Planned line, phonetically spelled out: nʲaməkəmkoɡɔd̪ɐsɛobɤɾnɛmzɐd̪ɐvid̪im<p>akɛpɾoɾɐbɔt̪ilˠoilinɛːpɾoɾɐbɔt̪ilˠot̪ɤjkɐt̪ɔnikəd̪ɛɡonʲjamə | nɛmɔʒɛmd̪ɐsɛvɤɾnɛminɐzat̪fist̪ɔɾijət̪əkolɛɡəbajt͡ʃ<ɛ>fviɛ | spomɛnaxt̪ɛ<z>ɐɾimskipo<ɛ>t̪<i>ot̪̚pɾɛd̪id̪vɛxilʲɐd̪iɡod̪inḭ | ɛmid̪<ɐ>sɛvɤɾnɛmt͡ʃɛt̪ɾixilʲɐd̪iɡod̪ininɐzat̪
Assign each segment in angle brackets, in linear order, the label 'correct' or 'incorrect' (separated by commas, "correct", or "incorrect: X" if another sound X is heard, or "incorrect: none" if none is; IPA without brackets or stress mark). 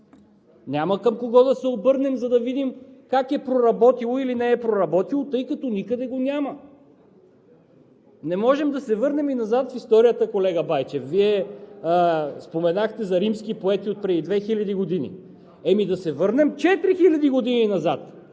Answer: incorrect: k, correct, correct, correct, correct, correct